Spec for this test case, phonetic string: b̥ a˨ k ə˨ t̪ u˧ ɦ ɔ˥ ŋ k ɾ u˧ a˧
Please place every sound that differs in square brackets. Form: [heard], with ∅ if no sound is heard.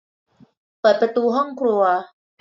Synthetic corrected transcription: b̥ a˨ [p] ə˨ t̪ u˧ ɦ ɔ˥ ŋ k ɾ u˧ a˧